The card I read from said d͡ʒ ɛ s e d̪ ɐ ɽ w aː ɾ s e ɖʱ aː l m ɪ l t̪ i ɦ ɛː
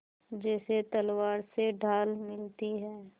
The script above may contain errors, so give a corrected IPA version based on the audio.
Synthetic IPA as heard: d͡ʒ ɛː s e t̪ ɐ l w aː ɾ s e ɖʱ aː l m ɪ l t̪ i ɦ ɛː